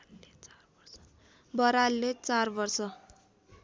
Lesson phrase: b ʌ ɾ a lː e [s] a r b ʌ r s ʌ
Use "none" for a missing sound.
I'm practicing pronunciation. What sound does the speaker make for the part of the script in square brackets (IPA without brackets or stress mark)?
t͡s